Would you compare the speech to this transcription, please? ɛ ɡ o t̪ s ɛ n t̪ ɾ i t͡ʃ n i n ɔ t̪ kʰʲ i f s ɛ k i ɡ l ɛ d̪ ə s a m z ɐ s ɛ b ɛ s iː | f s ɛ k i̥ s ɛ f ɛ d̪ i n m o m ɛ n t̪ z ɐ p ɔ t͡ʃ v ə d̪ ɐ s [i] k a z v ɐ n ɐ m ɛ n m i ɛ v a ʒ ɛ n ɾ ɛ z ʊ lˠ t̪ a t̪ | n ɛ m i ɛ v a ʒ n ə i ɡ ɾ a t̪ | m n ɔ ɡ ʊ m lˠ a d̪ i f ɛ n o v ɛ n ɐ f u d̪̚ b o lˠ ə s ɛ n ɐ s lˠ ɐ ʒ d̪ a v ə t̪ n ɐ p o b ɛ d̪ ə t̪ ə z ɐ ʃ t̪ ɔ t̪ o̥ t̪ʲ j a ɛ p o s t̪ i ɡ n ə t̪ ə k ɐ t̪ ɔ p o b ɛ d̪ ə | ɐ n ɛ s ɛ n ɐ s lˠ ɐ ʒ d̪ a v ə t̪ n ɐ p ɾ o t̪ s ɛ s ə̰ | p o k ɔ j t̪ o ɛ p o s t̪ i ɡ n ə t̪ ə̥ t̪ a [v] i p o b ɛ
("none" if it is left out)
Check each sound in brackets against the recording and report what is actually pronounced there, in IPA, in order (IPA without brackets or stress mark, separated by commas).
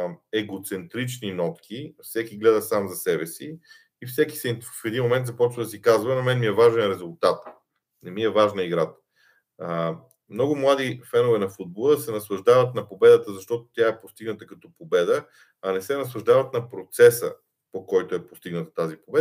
i, z